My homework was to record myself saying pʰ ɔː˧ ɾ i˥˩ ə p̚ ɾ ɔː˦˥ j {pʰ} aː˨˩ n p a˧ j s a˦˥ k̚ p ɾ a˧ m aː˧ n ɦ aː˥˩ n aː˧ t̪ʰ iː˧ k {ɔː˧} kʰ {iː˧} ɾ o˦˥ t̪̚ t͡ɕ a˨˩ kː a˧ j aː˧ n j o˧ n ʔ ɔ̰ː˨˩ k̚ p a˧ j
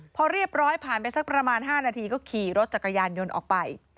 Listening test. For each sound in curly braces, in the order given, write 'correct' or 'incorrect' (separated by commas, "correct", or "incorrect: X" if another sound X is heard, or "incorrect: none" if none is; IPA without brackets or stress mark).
correct, incorrect: ɔː˥˩, incorrect: iː˨˩